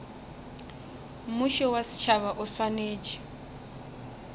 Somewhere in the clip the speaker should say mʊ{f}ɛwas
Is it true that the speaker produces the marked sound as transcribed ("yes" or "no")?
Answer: no